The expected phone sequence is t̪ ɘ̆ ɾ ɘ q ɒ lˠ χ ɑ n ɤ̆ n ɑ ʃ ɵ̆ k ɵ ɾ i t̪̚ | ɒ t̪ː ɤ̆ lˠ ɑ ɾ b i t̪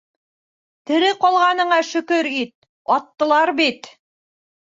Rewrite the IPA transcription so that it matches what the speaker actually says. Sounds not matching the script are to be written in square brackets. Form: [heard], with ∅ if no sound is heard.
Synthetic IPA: t̪ ɘ̆ ɾ ɘ q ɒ lˠ [ʁ] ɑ n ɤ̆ [ɴ] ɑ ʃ ɵ̆ k ɵ ɾ i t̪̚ | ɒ t̪ː ɤ̆ lˠ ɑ ɾ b i t̪